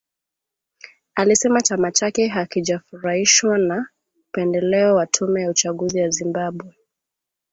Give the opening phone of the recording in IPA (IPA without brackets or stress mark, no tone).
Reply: a